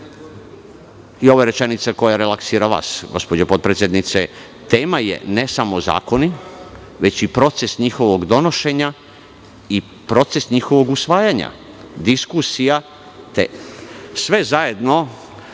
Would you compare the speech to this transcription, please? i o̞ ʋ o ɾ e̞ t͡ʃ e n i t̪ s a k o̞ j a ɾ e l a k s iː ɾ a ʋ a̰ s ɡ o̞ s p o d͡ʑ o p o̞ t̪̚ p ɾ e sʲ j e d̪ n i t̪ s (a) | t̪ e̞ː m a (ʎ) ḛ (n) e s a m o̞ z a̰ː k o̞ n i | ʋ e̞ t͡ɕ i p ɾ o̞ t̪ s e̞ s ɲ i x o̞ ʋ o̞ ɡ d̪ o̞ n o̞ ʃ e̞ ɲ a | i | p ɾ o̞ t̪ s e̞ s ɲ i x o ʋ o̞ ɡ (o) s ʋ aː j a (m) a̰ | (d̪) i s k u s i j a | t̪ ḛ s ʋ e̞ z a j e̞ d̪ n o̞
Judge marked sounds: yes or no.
no, no, yes, no, no, yes

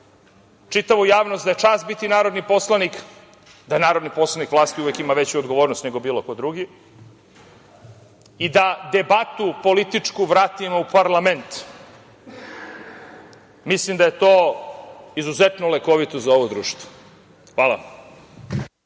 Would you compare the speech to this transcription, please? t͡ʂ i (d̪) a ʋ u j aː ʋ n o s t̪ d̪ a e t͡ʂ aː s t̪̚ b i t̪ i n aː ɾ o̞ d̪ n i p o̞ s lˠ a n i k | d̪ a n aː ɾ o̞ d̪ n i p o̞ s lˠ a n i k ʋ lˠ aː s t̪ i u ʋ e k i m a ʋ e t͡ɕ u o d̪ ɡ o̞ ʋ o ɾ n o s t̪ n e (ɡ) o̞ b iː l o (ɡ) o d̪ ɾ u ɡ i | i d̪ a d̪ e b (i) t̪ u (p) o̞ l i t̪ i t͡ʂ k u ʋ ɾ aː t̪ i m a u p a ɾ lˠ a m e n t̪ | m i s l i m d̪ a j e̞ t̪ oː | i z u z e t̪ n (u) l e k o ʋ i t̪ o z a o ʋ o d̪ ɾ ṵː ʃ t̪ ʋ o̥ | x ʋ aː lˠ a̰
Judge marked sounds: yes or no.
no, yes, no, no, yes, no

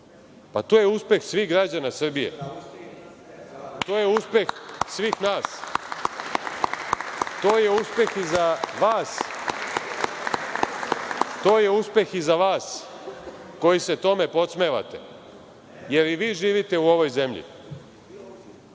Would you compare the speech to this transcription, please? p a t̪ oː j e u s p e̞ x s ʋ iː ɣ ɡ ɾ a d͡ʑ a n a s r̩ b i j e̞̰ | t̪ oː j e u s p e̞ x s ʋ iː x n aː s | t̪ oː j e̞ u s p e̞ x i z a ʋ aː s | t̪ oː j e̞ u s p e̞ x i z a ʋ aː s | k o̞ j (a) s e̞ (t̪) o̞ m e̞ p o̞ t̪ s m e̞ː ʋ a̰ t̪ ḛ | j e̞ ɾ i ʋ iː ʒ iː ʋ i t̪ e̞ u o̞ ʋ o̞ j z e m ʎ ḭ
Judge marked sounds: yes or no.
no, yes

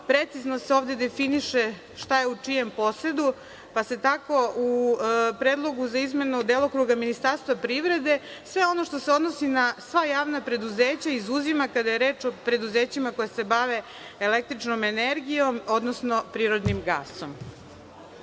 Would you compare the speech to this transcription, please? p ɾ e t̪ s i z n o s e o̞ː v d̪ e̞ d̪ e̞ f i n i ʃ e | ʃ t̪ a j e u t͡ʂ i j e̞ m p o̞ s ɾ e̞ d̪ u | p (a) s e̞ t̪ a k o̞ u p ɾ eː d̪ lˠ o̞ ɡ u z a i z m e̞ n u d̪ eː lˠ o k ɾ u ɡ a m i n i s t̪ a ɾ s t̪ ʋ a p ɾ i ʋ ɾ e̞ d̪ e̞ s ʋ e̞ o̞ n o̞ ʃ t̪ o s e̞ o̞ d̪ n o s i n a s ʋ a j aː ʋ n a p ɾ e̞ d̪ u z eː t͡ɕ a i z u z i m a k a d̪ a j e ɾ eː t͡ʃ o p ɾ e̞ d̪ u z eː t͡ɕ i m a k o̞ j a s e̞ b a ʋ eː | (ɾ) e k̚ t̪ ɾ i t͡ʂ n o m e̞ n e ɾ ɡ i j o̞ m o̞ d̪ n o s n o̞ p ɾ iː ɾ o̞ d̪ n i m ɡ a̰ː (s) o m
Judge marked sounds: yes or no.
yes, no, yes

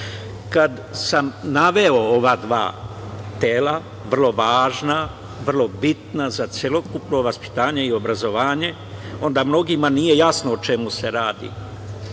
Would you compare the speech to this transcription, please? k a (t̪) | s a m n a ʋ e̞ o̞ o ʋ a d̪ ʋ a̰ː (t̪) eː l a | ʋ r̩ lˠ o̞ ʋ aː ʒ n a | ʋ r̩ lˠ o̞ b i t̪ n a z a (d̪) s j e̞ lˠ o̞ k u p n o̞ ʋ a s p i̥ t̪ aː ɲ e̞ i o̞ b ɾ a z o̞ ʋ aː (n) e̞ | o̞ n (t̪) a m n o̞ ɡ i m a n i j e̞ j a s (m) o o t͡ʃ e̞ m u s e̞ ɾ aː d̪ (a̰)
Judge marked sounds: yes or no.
no, yes, no, no, no, no, no

